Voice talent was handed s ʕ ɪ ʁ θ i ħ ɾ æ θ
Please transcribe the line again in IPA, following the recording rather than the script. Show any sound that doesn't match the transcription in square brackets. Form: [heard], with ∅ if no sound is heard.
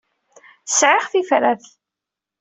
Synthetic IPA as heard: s ʕ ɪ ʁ θ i [f] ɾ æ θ